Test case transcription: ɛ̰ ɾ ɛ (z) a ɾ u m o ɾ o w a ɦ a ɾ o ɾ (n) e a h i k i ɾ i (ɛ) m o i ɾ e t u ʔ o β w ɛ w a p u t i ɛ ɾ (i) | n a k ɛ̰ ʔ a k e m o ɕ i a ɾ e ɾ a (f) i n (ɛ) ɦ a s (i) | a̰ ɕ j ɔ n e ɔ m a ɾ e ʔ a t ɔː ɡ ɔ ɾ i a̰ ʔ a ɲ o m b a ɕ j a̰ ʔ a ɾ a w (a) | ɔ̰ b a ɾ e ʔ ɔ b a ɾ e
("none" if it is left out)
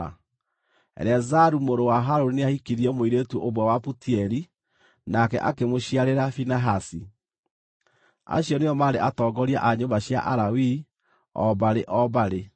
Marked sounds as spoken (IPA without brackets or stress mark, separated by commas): z, n, ɛ, i, f, a, i, i